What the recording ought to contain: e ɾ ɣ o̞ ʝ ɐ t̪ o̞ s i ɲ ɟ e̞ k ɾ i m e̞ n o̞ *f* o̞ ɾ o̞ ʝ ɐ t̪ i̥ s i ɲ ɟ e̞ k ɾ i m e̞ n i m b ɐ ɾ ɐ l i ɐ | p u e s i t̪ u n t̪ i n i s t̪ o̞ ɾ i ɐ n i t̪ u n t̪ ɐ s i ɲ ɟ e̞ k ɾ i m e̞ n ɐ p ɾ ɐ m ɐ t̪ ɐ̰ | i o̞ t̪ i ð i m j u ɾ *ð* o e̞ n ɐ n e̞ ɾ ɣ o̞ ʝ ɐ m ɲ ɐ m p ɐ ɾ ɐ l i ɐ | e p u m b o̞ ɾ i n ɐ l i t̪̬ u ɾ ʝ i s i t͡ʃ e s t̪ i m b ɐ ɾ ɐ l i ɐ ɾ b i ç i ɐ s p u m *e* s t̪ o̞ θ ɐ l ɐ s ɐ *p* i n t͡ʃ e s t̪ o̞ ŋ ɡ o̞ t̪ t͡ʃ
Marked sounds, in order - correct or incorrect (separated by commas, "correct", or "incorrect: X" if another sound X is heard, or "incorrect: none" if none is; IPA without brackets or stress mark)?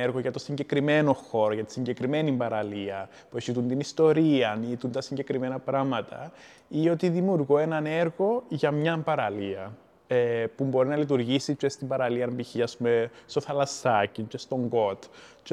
incorrect: x, incorrect: ɣ, correct, incorrect: c